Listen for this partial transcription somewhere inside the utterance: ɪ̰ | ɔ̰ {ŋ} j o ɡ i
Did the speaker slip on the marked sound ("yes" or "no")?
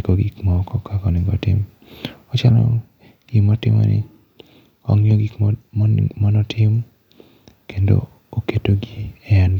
no